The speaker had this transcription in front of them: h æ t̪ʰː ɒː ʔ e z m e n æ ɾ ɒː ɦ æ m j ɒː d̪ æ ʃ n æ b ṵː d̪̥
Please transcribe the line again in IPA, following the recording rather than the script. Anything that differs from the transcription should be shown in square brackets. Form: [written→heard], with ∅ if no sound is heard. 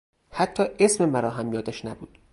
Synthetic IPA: h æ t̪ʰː ɒː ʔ e [z→s] m e [n→m] æ ɾ ɒː ɦ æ m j ɒː d̪ æ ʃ n æ b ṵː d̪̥